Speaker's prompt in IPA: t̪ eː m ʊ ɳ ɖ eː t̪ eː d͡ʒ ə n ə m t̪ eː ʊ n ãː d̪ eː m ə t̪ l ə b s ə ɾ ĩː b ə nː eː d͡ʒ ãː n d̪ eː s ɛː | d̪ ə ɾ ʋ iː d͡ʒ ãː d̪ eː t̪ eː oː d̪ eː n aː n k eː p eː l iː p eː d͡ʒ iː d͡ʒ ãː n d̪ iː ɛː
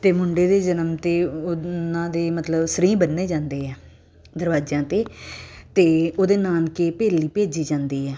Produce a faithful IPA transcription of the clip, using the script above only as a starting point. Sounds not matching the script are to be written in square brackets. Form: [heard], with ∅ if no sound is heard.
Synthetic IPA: t̪ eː m ʊ ɳ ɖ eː [d̪] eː d͡ʒ ə n ə m t̪ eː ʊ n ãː d̪ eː m ə t̪ l ə b s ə ɾ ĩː b ə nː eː d͡ʒ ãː n d̪ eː [∅] ɛː | d̪ ə ɾ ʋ [aː] d͡ʒ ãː [t̪] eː t̪ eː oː d̪ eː n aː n k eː p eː l iː p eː d͡ʒ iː d͡ʒ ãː n d̪ iː ɛː